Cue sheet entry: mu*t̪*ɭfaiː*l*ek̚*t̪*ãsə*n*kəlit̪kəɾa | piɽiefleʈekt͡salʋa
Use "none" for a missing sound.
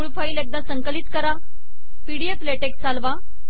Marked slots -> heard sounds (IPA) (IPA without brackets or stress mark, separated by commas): none, l, d̪, ŋ